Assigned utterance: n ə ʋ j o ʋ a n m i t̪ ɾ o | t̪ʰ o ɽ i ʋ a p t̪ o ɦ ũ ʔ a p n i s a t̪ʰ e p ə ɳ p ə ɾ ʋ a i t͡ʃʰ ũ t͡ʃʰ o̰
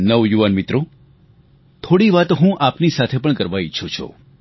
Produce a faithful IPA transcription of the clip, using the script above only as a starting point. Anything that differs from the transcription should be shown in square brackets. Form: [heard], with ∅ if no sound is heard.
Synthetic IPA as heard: n ə ʋ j [u] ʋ a n m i t̪ ɾ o | t̪ʰ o ɽ i ʋ a [∅] t̪ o ɦ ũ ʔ a p n i s a t̪ʰ e p ə ɳ [k] ə ɾ ʋ a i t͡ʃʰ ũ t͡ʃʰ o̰

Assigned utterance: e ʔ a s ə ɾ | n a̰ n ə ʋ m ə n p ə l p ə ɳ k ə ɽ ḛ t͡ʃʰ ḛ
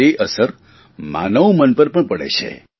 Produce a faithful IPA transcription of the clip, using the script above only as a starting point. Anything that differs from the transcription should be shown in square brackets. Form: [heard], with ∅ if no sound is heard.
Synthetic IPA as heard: e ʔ [ə] s ə ɾ | [m] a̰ n ə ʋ m ə n p ə [ɾ] p ə ɳ [p] ə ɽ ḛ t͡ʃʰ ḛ

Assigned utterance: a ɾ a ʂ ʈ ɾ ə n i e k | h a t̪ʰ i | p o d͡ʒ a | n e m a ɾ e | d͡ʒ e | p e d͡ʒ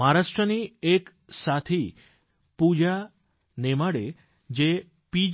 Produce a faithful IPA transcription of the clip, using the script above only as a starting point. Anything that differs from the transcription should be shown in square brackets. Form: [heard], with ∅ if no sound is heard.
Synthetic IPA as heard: a ɾ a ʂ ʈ ɾ ə n i e k | [s] a t̪ʰ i | p [u] d͡ʒ a | n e m a [ɽ] e | d͡ʒ e | p [i] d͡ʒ

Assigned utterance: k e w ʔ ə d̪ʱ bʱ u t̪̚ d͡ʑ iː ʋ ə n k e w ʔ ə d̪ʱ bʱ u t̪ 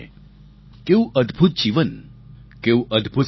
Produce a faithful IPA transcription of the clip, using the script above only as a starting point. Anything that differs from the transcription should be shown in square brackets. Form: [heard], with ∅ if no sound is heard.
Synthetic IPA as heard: k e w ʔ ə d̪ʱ bʱ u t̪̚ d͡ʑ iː ʋ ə n k e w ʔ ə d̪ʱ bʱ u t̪

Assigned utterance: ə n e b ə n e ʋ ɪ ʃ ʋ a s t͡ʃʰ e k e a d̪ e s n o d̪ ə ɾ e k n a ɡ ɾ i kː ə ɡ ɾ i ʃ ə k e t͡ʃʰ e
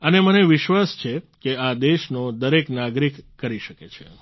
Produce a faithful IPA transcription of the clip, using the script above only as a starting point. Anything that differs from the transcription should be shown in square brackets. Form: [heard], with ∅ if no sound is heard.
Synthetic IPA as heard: ə n e [m] ə n e ʋ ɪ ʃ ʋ a s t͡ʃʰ e k e a d̪ e [ʃ] n o d̪ ə ɾ e k n a ɡ ɾ i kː ə [∅] ɾ i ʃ ə k e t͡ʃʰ e

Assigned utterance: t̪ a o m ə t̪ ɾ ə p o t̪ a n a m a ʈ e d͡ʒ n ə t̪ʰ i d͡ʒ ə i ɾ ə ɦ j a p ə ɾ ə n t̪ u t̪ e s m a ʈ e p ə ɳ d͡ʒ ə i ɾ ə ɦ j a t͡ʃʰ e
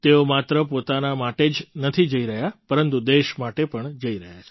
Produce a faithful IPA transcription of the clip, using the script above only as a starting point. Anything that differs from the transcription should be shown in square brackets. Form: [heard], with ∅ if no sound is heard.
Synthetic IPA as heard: t̪ [e] o m [a] t̪ ɾ ə p o t̪ a n a m a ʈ e d͡ʒ n ə t̪ʰ i d͡ʒ ə i ɾ ə ɦ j a p ə ɾ ə n t̪ u [d̪] e [ʃ] m a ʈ e p ə ɳ d͡ʒ ə i ɾ ə ɦ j a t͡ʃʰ e

